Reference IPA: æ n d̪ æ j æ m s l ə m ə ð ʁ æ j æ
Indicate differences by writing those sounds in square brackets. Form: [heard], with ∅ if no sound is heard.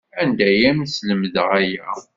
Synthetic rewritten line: æ n d̪ æ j æ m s l ə m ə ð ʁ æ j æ